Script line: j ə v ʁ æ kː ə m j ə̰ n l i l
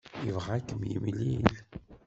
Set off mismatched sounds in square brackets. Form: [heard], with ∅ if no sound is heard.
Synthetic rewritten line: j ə v ʁ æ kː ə m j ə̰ [m] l i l